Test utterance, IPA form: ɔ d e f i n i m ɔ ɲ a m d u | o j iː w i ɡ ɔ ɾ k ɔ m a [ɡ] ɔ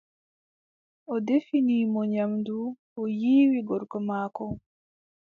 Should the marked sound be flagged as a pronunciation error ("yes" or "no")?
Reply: yes